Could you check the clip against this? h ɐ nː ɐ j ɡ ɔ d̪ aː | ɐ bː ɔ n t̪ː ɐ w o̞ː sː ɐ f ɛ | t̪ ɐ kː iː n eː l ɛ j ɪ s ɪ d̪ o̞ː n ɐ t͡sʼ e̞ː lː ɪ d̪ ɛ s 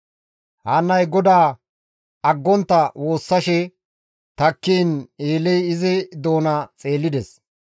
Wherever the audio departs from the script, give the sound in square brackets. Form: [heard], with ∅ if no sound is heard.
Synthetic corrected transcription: h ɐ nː ɐ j ɡ ɔ d̪ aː | ɐ [ɡː] ɔ n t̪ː ɐ w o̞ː sː ɐ [ʃ] ɛ | t̪ ɐ kː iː n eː l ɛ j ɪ [z] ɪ d̪ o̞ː n ɐ t͡sʼ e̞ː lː ɪ d̪ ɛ s